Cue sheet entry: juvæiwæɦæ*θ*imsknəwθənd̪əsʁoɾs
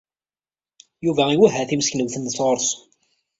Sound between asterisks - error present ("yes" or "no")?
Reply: no